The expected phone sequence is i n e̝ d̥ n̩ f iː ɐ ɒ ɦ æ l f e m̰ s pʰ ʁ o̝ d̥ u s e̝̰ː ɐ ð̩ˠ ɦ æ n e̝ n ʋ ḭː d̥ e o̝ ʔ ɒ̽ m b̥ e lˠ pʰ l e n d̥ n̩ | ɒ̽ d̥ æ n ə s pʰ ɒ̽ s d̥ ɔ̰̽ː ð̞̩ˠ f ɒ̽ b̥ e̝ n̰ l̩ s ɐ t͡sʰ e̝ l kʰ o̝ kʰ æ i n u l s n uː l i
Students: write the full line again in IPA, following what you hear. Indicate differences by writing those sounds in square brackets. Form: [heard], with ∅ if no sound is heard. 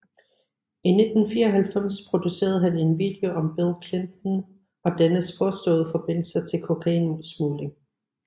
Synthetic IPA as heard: i n e̝ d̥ n̩ f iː ɐ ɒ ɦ æ l f e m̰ s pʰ ʁ o̝ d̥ u s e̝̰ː ɐ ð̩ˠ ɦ æ n e̝ n ʋ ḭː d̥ e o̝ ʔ ɒ̽ m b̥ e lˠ [kʰ] l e n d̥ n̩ | ɒ̽ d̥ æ n ə s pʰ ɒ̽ s d̥ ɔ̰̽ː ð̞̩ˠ f ɒ̽ b̥ e̝ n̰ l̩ s ɐ t͡sʰ e̝ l kʰ o̝ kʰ æ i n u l s [m] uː l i